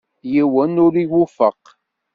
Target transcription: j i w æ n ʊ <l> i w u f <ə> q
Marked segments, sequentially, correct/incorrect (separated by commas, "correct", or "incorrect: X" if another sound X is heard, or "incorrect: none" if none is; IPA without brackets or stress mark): incorrect: ɾ, correct